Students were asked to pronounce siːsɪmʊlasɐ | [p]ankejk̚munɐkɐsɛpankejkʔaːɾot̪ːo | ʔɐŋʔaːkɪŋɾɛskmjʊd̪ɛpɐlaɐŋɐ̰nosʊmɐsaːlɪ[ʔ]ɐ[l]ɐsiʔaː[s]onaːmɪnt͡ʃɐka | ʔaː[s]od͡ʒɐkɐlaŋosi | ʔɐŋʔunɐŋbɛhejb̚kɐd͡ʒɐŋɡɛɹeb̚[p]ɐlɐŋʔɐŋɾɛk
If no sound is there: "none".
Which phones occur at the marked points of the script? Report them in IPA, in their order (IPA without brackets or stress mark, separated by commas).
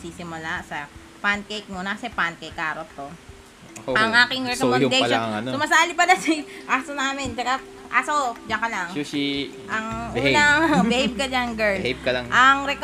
p, p, l, s, s, k